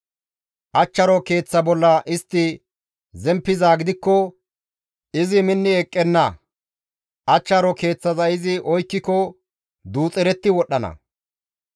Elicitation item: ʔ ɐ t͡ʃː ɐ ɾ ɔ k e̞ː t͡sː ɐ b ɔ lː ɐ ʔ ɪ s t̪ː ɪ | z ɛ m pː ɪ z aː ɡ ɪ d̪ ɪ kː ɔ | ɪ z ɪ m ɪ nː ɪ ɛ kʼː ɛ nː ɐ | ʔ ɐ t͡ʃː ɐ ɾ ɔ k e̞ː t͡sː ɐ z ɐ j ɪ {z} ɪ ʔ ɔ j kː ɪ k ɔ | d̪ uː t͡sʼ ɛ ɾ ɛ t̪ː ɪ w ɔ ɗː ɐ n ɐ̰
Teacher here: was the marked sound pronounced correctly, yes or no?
yes